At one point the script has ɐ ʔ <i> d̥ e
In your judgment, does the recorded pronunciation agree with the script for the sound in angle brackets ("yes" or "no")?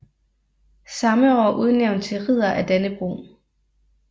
no